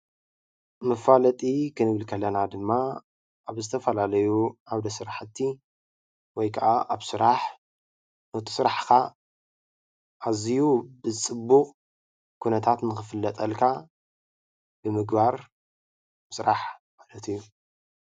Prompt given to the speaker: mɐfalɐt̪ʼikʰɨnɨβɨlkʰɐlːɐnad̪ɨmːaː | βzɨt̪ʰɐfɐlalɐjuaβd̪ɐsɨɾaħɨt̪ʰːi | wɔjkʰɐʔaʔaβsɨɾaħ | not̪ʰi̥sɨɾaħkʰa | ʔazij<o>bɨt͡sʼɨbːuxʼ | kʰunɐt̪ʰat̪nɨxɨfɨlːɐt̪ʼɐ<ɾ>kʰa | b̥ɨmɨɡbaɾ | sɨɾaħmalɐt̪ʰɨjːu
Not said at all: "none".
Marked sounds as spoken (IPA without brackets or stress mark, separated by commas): u, l